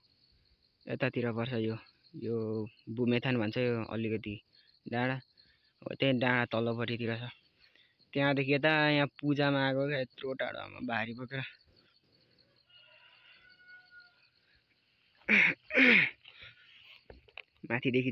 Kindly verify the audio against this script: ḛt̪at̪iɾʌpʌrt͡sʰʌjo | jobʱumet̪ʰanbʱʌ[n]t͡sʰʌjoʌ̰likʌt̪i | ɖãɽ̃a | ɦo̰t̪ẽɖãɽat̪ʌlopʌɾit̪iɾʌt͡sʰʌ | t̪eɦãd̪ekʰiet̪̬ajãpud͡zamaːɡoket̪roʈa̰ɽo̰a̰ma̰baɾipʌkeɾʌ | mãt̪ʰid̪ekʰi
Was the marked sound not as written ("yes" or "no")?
no